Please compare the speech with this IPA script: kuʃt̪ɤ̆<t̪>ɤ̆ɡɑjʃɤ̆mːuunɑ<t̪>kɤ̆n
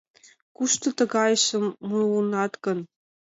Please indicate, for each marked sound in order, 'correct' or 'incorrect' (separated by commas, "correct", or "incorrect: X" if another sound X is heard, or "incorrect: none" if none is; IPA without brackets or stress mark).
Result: correct, correct